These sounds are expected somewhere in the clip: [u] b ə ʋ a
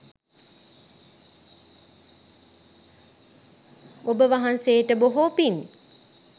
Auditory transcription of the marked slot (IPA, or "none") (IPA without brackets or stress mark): o